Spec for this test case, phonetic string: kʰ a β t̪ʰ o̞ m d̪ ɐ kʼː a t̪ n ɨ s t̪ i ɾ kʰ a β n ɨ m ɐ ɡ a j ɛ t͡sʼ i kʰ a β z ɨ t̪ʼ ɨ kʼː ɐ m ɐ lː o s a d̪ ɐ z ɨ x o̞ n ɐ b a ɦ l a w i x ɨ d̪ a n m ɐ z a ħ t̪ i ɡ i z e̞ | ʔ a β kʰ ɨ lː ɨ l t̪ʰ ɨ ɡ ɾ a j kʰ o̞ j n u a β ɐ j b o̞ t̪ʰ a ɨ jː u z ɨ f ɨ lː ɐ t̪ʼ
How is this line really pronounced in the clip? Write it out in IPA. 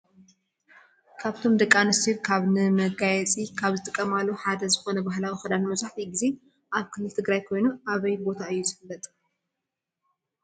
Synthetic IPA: kʰ a β t̪ʰ o̞ m d̪ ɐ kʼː a n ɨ s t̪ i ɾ kʰ a β n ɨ m ɐ ɡ a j ɛ t͡sʼ i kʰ a β z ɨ t̪ʼ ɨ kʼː ɐ m a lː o ħ a d̪ ɐ z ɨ x o̞ n ɐ b a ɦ l a w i x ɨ d̪ a n m ɐ z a ħ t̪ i ɡ i z e̞ | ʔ a β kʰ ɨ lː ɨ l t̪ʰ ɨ ɡ ɾ a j kʰ o̞ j n u a β ɐ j b o̞ t̪ʰ a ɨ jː u z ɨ f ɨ lː ɐ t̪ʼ